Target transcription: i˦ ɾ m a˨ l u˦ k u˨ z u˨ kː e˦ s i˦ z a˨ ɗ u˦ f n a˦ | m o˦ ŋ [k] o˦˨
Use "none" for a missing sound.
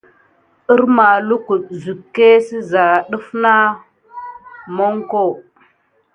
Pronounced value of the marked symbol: k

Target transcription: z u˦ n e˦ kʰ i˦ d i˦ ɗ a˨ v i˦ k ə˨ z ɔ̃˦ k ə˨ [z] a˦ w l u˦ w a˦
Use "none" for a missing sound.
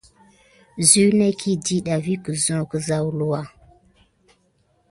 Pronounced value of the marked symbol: z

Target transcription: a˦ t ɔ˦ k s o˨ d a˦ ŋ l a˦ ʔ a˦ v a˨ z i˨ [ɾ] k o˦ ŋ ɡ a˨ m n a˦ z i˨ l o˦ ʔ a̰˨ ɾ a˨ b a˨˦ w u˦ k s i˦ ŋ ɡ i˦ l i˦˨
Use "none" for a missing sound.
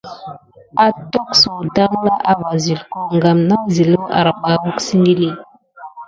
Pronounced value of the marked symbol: l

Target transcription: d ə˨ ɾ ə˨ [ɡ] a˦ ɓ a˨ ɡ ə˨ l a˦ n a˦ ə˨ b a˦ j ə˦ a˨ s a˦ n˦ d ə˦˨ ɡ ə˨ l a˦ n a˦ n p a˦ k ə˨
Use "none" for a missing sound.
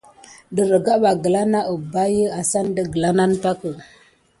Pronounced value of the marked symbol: ɡ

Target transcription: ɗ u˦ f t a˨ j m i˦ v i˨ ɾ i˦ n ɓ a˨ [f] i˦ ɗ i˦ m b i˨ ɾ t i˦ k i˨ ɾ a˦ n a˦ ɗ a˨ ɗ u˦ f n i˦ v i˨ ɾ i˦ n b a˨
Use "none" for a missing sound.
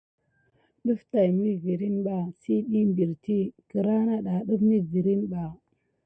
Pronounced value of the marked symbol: s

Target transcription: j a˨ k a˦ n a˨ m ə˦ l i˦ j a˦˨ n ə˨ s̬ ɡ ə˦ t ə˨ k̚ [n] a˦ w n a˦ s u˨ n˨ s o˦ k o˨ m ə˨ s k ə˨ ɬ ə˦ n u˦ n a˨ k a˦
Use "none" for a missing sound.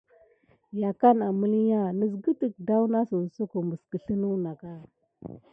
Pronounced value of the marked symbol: d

